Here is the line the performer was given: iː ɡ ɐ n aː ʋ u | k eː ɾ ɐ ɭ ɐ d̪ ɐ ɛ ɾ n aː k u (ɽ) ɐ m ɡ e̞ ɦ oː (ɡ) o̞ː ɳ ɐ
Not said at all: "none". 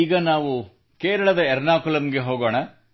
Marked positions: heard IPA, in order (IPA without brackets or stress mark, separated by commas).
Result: l, ɡ